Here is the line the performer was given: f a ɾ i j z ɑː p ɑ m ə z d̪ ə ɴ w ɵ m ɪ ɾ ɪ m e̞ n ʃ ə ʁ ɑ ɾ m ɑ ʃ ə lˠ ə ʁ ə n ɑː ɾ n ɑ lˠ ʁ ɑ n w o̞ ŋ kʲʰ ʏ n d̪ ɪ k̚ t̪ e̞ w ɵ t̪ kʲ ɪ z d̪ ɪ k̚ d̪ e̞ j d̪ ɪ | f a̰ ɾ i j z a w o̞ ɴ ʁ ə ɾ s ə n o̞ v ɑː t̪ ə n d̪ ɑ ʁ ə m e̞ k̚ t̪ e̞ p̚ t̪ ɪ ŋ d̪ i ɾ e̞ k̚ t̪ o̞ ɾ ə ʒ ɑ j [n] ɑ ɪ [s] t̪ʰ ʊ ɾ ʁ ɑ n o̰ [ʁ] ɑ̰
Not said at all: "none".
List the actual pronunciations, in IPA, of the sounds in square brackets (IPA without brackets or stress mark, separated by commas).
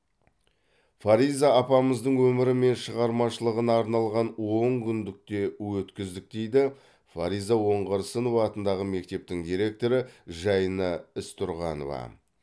n, s, v